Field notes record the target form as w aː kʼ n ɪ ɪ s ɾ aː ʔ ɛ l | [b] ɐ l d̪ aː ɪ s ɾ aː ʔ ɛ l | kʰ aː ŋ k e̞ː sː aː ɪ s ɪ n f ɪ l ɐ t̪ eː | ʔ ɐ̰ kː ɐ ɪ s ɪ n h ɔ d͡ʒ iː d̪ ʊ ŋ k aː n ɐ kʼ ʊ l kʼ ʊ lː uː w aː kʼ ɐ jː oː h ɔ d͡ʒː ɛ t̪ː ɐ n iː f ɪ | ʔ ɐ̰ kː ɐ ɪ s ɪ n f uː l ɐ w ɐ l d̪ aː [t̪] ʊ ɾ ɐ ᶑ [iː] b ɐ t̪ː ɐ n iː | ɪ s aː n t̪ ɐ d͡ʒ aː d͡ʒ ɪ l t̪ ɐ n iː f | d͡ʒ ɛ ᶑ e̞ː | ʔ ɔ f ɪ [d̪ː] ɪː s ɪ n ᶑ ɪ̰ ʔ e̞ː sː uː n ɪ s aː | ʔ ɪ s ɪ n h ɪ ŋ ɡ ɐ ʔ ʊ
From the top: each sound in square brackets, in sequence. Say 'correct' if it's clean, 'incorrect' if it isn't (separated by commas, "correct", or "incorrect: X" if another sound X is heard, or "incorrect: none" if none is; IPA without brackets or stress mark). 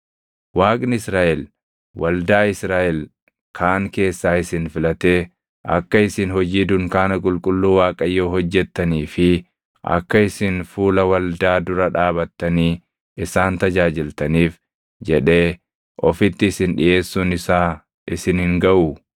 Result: incorrect: w, incorrect: d̪, incorrect: aː, incorrect: t̪ː